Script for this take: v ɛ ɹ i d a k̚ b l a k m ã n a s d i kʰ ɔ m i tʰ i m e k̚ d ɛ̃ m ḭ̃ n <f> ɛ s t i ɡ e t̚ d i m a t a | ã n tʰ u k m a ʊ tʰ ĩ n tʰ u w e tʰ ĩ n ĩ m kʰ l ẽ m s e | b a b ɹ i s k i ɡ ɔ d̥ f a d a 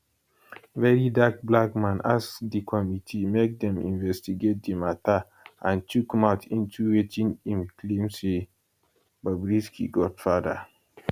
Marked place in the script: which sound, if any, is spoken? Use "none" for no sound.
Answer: v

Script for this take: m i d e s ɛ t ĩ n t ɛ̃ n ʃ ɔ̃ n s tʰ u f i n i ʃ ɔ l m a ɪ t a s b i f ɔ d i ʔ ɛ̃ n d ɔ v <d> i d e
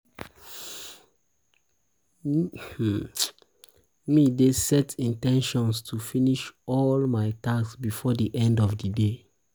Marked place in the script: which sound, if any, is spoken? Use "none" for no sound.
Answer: d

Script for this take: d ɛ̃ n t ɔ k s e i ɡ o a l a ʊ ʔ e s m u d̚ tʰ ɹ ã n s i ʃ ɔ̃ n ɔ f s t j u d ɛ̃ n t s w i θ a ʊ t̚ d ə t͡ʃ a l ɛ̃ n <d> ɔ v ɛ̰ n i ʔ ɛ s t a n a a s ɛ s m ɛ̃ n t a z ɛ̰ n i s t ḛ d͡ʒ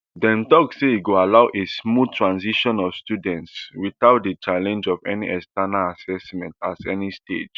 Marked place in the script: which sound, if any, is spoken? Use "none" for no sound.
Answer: d͡ʒ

